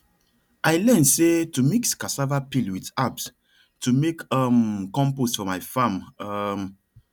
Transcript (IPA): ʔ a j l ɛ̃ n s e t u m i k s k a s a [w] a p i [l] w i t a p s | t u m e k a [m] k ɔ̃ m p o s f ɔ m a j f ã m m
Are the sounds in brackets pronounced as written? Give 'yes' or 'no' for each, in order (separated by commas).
no, yes, yes